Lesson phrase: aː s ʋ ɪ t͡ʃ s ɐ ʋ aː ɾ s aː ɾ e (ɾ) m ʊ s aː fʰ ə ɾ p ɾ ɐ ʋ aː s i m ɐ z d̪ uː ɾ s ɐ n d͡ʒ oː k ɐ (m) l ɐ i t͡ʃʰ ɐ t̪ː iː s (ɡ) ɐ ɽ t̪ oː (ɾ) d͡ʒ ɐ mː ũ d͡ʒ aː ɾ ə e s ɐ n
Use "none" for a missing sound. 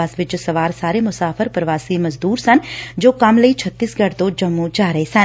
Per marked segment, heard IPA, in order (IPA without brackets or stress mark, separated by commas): none, m, ɡ, none